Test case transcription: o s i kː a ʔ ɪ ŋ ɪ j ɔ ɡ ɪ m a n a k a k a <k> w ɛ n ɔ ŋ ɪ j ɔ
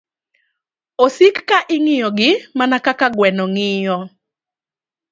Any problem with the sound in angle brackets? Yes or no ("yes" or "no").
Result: yes